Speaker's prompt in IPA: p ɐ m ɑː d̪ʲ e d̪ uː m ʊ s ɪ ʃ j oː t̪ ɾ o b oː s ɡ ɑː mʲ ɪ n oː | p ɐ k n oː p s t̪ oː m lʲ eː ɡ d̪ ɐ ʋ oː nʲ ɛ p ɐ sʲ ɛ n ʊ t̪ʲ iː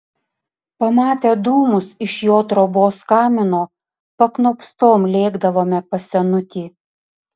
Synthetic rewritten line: p ɐ m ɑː t̪ʲ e d̪ uː m ʊ s ɪ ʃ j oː t̪ ɾ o b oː s k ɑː mʲ ɪ n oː | p ɐ k n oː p s t̪ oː m lʲ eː ɡ d̪ ɐ ʋ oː mʲ ɛ p ɐ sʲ ɛ n ʊ t̪ʲ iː